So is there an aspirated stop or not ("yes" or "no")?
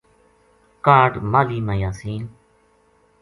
no